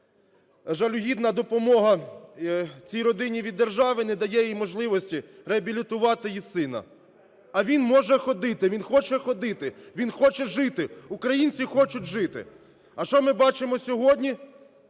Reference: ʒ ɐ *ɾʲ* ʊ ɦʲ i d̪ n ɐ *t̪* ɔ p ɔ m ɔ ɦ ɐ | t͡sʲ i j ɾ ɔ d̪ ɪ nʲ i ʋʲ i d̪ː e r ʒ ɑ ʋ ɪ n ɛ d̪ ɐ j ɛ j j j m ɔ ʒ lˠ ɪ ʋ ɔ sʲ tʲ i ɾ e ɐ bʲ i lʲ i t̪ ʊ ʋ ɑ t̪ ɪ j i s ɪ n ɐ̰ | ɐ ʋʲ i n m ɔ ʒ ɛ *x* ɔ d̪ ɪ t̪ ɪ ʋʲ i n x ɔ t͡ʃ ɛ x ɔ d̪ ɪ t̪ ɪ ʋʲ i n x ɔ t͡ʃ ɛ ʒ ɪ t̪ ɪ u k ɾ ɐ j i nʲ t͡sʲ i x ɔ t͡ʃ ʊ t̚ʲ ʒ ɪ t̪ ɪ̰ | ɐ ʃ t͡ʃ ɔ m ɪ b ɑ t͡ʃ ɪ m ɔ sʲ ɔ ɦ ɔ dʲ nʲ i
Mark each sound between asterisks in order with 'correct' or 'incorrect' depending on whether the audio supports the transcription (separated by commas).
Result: incorrect, incorrect, correct